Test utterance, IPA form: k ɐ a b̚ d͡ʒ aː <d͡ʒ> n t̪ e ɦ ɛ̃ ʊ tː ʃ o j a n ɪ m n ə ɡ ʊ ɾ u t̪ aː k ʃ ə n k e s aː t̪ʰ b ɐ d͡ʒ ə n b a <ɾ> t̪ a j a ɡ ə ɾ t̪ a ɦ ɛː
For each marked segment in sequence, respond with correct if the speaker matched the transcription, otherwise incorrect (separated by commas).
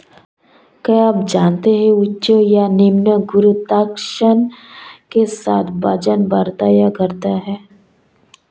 incorrect, correct